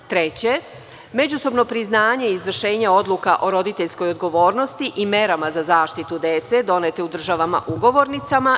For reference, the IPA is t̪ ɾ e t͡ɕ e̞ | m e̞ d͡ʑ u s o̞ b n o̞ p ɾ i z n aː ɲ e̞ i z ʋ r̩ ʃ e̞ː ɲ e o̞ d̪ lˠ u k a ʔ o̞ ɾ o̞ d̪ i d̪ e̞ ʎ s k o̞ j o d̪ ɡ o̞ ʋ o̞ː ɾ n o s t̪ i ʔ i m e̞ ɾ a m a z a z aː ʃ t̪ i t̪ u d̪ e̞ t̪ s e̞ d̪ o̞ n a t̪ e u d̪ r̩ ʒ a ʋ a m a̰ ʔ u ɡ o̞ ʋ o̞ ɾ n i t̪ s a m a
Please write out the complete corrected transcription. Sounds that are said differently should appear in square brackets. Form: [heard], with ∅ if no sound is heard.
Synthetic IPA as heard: t̪ ɾ e t͡ɕ e̞ | m e̞ d͡ʑ u s o̞ b n o̞ p ɾ i z n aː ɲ e̞ i z ʋ r̩ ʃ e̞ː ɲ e o̞ d̪ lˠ u k a ʔ o̞ ɾ o̞ d̪ i [t̪] e̞ ʎ s k o̞ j o d̪ ɡ o̞ ʋ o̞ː ɾ n o s t̪ i ʔ i m e̞ ɾ a m a z a z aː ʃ t̪ i t̪ u d̪ e̞ t̪ s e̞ d̪ o̞ n [e] t̪ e u d̪ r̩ ʒ a ʋ a m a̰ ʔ u ɡ o̞ ʋ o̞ ɾ n i t̪ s a m a